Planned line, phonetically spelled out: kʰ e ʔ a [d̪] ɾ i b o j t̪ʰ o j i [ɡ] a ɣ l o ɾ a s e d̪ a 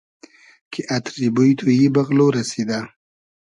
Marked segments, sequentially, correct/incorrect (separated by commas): incorrect, incorrect